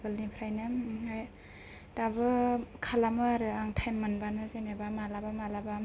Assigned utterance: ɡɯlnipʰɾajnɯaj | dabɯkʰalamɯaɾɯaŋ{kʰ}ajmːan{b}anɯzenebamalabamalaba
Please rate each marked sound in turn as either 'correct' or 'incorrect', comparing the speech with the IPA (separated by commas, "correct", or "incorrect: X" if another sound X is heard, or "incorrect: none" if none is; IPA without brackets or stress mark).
incorrect: tʰ, correct